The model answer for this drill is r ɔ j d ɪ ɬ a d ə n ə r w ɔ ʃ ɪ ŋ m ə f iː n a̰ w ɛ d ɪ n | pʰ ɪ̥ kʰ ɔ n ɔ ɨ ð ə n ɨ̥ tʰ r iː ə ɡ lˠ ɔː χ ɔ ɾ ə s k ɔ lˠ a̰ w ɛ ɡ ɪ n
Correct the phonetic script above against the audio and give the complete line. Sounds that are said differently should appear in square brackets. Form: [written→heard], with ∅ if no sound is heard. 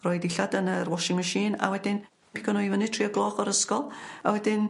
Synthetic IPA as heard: r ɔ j d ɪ ɬ a d ə n ə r w ɔ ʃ ɪ ŋ m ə [f→ʃ] iː n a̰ w ɛ d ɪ n | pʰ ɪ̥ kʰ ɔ n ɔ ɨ [ð→v] ə n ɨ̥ tʰ r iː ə ɡ lˠ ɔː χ ɔ ɾ ə s k ɔ lˠ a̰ w ɛ [ɡ→d] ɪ n